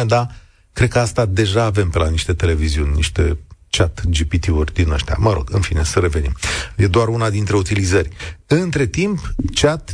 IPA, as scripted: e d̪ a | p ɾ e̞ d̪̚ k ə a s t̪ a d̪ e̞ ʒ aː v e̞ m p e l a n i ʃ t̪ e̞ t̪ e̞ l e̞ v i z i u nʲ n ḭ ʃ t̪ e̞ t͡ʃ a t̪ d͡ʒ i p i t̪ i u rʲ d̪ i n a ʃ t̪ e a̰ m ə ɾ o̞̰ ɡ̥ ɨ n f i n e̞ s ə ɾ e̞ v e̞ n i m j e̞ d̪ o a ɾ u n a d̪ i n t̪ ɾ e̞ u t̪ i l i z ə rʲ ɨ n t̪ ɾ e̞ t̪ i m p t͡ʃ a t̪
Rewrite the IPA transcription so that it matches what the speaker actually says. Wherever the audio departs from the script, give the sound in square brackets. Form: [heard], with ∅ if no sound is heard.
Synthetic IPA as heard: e d̪ a | [k] ɾ e̞ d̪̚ k ə a s t̪ a d̪ e̞ ʒ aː v e̞ m p e l a n i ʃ t̪ e̞ t̪ e̞ l e̞ v i z i u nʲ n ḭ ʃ t̪ e̞ t͡ʃ a t̪ d͡ʒ i p i t̪ i u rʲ d̪ i n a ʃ t̪ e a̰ m ə ɾ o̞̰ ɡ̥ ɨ n f i n e̞ s ə ɾ e̞ v e̞ n i m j e̞ d̪ o a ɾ u n a d̪ i n t̪ ɾ e̞ u t̪ i l i z ə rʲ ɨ n t̪ ɾ e̞ t̪ i m p t͡ʃ a t̪